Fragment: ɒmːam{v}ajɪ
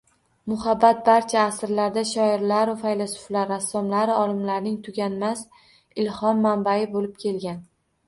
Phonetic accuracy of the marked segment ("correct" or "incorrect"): incorrect